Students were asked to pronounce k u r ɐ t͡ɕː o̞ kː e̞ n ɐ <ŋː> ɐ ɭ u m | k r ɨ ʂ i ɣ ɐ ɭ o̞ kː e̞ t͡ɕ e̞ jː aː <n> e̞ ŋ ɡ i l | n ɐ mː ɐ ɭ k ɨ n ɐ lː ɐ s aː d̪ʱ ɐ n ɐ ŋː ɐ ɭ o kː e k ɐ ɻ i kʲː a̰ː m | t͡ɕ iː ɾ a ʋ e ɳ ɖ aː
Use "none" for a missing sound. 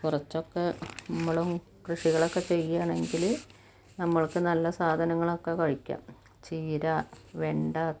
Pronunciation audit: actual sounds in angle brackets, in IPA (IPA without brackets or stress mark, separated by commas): mː, ɳ